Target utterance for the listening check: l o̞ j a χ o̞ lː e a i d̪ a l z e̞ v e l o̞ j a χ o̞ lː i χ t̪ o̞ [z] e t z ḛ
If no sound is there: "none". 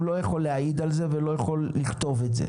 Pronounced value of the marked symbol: v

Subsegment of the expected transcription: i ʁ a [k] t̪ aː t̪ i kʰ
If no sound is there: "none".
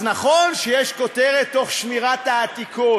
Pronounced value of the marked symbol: none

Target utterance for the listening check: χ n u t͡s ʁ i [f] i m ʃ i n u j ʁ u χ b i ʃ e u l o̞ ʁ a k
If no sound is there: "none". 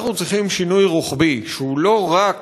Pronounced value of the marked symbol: χ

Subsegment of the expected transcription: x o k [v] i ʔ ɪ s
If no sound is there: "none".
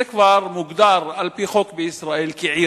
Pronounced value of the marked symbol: b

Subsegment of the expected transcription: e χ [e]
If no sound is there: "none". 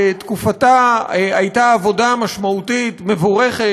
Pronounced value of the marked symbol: e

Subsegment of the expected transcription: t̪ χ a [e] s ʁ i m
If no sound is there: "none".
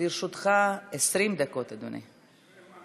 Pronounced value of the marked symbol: e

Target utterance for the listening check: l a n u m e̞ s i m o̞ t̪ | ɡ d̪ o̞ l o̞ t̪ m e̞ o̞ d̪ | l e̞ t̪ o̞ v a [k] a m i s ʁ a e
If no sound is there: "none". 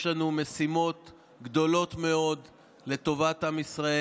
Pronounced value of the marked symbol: t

